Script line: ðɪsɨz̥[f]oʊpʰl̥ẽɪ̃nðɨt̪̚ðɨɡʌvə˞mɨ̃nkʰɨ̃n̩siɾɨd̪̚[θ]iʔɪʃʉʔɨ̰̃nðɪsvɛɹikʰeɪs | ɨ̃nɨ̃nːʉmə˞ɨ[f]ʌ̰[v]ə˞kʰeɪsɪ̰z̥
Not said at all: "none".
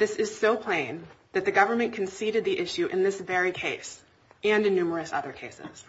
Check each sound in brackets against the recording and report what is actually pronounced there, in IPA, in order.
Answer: s, ð, s, ð

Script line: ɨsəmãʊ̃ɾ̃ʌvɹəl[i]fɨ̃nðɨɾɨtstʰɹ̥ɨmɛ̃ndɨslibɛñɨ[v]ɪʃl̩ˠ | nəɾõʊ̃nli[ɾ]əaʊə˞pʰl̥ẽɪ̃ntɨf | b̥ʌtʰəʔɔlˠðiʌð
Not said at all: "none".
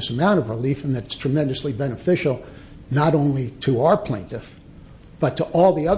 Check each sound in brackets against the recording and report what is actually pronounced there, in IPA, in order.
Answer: i, f, ɾ

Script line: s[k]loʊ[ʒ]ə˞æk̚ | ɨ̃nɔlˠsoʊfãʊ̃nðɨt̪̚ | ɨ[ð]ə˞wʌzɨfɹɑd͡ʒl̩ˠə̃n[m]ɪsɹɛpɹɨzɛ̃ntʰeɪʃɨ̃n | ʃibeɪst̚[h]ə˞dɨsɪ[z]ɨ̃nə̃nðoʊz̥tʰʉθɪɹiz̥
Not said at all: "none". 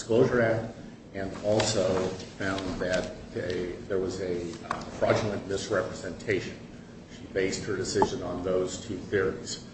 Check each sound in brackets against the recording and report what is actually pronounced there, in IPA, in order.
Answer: k, ʒ, ð, m, h, ʒ

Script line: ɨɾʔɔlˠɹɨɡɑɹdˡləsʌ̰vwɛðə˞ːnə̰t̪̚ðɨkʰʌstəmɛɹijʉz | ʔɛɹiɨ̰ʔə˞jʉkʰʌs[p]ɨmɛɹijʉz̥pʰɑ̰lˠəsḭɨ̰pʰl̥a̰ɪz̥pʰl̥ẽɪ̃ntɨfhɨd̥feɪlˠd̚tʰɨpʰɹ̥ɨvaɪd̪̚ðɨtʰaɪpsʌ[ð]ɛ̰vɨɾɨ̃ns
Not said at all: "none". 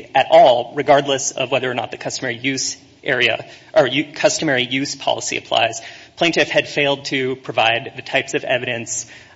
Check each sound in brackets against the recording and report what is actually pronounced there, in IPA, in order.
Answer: t, v

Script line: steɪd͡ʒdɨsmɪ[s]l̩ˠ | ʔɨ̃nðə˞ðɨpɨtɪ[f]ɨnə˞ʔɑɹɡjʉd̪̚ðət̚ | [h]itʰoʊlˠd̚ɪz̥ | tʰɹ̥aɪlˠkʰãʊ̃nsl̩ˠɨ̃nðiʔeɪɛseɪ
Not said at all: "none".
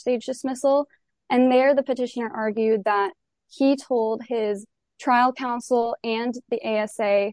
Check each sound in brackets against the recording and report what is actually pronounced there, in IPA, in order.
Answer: s, ʃ, h

